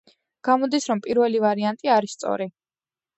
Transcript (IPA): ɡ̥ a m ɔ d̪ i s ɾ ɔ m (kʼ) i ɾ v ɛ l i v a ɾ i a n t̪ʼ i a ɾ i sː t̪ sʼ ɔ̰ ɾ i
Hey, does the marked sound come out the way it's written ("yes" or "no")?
no